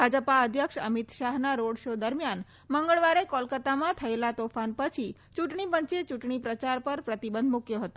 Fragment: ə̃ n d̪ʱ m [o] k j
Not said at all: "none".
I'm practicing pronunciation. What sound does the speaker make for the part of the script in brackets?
u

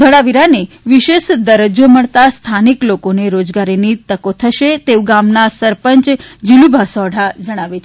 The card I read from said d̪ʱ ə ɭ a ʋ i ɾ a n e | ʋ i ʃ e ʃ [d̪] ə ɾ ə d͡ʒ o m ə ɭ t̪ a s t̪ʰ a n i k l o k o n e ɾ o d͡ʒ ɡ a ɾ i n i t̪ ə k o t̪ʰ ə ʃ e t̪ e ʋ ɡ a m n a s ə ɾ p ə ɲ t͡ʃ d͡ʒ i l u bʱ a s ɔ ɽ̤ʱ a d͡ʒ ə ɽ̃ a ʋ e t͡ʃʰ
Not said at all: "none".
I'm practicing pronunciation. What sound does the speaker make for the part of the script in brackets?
d̪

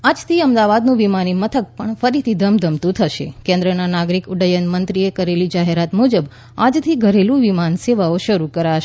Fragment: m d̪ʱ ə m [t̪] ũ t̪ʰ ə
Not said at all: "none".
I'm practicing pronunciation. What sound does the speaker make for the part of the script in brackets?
t̪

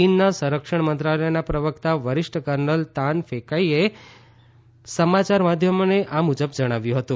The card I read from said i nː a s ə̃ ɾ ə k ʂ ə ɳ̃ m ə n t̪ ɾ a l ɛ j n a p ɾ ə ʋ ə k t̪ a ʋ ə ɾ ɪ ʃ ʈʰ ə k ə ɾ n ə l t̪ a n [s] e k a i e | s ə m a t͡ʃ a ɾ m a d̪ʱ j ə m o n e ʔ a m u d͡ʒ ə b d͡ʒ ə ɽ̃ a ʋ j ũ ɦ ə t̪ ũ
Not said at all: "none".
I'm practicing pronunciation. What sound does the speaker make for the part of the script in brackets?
f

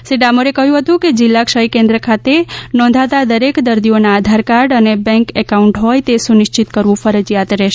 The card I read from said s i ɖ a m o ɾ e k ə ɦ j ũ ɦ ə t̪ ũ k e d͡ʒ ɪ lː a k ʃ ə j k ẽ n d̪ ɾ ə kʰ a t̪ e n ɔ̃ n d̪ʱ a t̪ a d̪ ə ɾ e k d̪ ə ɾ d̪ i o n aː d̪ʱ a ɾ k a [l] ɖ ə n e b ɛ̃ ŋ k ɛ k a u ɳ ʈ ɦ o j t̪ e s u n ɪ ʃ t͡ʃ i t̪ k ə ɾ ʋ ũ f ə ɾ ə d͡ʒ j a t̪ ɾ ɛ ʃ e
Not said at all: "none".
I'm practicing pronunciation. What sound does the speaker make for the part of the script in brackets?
ɾ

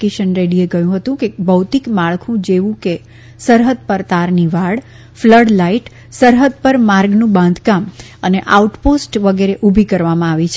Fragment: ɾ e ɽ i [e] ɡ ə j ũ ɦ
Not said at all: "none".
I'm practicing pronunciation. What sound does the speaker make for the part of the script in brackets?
e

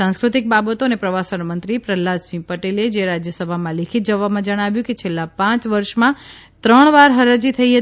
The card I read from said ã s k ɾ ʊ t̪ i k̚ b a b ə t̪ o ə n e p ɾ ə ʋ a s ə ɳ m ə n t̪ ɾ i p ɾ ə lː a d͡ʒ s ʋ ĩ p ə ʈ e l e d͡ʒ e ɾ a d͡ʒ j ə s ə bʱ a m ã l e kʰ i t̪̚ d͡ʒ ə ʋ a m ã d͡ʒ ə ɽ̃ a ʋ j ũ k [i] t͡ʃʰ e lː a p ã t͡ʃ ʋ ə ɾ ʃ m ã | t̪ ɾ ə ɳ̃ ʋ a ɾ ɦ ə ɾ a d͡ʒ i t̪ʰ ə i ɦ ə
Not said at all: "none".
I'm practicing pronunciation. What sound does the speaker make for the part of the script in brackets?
e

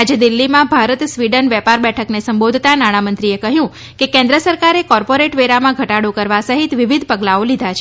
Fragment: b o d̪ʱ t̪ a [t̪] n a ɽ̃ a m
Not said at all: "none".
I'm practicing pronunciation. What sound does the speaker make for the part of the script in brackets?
none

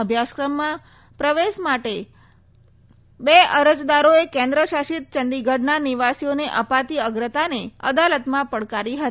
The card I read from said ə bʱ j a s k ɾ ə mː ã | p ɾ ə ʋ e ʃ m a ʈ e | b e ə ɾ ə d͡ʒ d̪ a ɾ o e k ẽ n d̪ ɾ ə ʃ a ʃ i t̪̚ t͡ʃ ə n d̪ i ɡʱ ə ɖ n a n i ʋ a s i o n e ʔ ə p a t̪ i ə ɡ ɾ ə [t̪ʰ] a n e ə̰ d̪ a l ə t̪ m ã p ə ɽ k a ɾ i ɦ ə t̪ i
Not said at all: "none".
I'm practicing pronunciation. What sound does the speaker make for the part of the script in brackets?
t̪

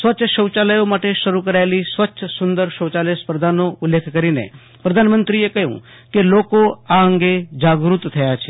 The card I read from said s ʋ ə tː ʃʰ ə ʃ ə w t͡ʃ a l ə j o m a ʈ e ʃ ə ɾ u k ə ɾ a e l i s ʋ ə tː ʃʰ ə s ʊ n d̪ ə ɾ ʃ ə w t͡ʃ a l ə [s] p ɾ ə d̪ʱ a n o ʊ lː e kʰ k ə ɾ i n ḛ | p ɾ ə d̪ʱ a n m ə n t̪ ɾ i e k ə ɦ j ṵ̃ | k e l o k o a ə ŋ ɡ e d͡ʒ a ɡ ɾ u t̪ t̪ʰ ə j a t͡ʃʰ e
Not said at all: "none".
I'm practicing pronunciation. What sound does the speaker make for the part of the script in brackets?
s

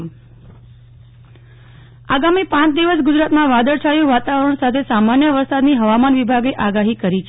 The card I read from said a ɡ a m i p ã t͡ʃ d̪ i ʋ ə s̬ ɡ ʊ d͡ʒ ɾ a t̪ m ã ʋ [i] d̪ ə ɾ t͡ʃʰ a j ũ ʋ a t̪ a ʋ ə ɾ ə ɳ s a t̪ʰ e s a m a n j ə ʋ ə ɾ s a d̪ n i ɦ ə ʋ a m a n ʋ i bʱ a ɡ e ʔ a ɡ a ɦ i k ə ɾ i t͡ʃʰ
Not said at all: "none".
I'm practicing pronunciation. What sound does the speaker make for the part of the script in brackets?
a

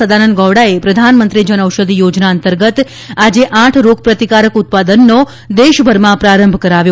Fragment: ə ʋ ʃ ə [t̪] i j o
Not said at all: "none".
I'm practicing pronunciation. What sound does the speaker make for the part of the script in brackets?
d̪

